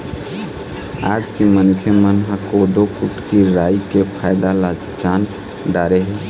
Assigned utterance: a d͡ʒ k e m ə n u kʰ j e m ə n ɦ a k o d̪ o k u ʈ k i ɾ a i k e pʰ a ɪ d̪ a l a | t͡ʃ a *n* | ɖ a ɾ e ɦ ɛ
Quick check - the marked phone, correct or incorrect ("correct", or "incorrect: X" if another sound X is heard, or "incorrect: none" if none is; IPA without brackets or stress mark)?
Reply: correct